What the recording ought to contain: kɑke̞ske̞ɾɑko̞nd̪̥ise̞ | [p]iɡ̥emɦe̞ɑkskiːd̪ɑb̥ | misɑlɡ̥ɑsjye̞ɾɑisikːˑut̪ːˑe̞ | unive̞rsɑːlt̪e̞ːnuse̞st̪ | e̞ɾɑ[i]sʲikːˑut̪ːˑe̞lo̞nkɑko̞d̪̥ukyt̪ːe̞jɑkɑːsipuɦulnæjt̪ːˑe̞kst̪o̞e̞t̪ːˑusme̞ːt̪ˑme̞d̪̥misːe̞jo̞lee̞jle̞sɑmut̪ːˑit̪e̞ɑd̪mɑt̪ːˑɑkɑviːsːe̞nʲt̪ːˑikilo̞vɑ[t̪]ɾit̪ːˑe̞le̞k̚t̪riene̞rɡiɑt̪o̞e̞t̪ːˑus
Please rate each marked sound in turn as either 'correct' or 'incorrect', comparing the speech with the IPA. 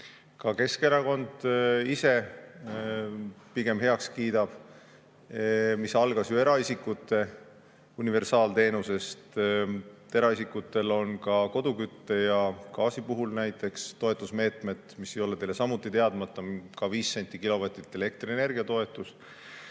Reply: correct, correct, correct

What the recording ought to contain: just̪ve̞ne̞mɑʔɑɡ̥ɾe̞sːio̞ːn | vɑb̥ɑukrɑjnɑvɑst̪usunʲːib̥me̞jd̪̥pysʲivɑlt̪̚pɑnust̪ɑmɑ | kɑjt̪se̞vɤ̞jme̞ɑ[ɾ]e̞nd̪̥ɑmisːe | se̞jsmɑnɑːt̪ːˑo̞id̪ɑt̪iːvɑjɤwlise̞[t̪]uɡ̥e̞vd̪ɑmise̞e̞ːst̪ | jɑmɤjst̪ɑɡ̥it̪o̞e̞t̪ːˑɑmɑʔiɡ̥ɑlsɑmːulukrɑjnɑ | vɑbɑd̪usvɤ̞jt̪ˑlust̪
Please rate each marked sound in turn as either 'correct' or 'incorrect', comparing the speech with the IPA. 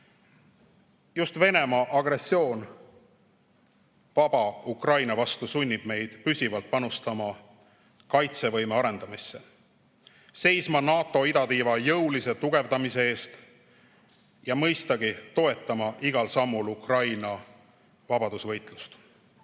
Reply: correct, correct

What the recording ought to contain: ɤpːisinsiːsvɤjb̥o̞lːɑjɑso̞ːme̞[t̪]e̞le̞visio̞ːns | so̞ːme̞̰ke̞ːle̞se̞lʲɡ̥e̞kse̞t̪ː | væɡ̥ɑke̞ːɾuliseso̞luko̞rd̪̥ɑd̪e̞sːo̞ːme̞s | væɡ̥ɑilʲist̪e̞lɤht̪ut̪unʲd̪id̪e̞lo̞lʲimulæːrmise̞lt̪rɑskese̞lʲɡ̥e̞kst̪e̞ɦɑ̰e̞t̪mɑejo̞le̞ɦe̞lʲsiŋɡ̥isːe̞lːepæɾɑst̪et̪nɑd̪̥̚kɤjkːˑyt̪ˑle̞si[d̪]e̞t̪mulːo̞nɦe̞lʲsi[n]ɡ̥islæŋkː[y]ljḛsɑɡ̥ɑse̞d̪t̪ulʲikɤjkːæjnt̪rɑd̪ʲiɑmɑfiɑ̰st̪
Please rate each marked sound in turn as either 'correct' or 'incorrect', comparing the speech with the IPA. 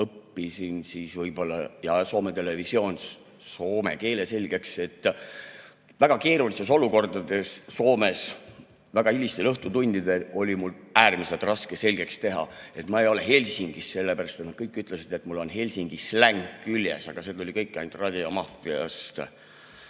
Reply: correct, correct, incorrect: ŋ, correct

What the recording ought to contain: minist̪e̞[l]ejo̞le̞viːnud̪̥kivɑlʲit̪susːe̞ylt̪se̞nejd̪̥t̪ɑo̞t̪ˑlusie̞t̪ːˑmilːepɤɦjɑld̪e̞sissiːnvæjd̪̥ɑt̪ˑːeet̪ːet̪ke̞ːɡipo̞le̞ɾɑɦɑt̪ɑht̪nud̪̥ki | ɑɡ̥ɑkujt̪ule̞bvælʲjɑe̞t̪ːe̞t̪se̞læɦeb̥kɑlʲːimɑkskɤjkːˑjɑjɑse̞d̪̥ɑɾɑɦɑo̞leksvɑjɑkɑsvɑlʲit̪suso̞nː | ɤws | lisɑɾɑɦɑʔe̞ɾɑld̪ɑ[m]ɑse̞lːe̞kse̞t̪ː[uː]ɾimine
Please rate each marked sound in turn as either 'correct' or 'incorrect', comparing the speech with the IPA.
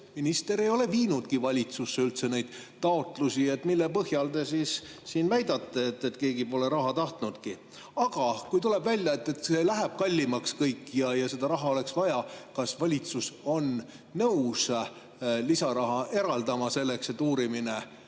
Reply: incorrect: ɾ, correct, correct

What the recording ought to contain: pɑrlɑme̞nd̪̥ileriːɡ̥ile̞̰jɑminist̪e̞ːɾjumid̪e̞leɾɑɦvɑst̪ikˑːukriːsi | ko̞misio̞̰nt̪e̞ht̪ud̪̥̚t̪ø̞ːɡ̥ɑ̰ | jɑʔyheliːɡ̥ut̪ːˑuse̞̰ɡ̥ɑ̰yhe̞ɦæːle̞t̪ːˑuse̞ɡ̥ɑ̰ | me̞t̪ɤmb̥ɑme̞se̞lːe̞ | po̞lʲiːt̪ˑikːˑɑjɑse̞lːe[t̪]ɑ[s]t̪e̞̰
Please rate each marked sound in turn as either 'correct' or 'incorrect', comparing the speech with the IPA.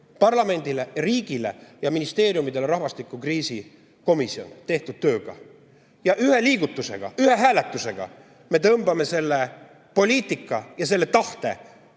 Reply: correct, incorrect: h

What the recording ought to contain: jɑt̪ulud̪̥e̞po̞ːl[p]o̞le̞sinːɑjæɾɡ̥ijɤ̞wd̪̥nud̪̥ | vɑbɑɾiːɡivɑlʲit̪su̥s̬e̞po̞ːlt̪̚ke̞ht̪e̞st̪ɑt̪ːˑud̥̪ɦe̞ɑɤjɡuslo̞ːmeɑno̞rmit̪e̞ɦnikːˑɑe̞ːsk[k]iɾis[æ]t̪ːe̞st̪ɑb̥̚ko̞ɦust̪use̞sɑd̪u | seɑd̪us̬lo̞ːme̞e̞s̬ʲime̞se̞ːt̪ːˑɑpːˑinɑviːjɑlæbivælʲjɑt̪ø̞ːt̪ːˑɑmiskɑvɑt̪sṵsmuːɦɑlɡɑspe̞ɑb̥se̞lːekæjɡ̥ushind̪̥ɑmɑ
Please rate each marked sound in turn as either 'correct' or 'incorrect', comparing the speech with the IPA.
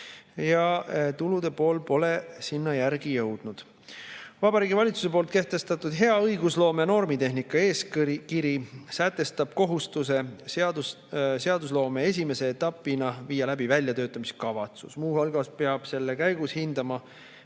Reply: correct, correct, correct

